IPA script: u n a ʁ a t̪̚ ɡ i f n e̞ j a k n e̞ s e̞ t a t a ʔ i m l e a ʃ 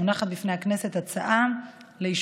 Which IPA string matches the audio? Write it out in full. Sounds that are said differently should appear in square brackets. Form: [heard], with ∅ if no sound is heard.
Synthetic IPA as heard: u n a [χ] a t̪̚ [b] i f n e̞ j a k n e̞ s e̞ t a [t͡s] a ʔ [a] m l e [i] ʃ